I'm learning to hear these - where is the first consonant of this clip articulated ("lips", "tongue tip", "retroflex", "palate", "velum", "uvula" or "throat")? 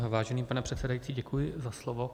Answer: lips